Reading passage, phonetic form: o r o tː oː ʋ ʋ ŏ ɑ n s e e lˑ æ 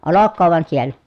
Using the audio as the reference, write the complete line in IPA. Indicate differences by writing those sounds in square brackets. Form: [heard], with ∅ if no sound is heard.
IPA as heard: o [l] o [kː] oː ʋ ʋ ŏ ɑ n s [i] e lˑ æ